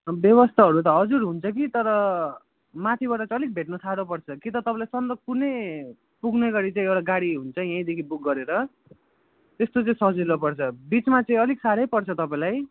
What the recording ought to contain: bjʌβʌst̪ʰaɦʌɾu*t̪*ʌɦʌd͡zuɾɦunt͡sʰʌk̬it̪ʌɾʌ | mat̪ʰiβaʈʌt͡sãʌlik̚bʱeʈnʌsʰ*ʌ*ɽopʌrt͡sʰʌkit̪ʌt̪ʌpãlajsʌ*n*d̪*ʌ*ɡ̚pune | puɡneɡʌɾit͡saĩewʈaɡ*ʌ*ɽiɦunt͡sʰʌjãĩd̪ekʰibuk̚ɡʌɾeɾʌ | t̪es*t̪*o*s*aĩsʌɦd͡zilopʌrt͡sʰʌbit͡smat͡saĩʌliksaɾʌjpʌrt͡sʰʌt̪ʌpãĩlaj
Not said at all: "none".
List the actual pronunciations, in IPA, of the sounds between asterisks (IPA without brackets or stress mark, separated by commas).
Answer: t̪, a, n, ʌ, a, t̪, t͡s